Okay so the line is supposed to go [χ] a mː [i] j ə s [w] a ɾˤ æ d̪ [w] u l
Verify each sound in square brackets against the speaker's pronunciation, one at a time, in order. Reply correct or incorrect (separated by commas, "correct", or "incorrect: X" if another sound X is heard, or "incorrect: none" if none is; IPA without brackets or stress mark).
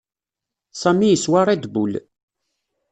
incorrect: s, correct, correct, incorrect: b